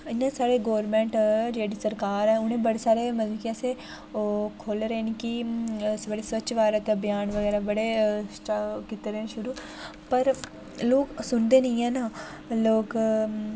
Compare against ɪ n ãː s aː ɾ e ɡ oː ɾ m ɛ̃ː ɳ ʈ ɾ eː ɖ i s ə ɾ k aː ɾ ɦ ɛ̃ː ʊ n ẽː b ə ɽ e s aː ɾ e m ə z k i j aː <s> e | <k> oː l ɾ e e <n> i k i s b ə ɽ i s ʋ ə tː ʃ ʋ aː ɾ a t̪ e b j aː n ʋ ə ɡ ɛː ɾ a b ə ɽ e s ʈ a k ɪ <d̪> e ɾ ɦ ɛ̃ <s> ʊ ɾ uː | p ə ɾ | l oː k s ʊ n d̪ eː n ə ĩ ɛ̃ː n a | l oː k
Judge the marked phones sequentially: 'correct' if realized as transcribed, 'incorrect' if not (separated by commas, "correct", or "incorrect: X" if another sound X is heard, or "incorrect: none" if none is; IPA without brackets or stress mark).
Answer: correct, incorrect: kʰ, correct, incorrect: t̪, incorrect: ʃ